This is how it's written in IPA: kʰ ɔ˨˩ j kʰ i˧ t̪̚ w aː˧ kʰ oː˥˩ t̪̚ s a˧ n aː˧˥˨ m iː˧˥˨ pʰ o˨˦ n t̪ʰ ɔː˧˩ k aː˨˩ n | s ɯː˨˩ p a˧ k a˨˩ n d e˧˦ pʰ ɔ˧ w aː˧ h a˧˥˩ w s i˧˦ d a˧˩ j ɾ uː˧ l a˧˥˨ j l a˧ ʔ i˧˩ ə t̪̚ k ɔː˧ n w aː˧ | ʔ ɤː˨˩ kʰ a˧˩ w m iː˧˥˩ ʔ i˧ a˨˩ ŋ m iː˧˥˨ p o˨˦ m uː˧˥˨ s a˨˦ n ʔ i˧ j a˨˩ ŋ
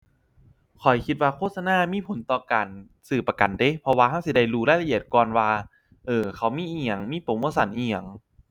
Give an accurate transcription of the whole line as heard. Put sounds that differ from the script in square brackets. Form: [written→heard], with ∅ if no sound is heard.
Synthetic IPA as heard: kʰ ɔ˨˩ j kʰ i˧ t̪̚ w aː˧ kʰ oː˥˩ t̪̚ s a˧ n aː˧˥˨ m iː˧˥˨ pʰ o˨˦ n [t̪ʰ→t̪] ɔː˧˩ k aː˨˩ n | s ɯː˨˩ p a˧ k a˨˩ n d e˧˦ pʰ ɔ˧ w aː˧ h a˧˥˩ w s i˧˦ d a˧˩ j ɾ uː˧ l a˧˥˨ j l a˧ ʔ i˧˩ ə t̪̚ k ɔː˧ n w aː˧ | ʔ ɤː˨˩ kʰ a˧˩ w m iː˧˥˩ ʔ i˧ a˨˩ ŋ m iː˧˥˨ p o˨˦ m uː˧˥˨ s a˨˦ n ʔ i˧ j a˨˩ ŋ